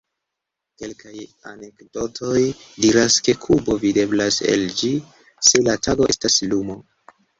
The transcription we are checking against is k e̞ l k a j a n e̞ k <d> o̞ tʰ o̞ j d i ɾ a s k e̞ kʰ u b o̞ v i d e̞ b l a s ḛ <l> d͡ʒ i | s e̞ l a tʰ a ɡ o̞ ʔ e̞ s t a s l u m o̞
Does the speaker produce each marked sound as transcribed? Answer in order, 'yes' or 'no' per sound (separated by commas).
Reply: yes, yes